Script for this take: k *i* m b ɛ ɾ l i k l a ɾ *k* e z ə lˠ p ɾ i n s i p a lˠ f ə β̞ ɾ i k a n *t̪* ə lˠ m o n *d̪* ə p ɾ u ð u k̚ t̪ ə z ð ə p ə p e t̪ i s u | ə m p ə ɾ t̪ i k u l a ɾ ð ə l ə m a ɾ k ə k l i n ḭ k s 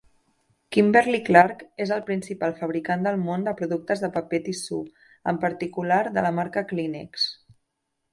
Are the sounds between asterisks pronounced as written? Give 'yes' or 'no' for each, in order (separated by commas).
yes, yes, no, yes